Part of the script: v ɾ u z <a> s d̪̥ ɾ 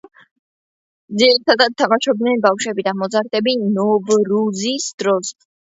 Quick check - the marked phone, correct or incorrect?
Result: incorrect